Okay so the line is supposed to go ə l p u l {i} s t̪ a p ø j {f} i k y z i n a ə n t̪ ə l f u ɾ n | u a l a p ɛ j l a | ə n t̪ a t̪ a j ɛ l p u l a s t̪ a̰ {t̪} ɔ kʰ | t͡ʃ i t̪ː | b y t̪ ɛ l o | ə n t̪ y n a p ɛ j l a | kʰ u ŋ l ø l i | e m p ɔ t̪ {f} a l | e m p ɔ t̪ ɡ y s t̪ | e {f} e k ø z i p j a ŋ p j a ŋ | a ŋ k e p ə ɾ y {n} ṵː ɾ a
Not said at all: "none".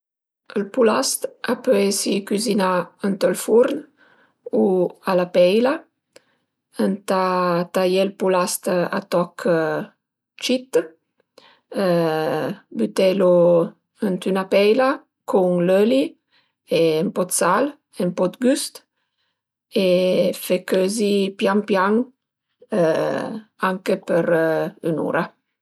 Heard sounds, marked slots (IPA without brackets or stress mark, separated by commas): a, s, t̪, s, f, n